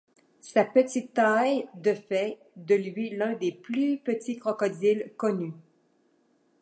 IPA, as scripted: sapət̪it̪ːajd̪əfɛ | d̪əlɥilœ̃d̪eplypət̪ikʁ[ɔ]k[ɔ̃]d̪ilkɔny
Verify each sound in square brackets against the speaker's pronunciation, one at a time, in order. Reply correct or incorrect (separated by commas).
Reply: correct, incorrect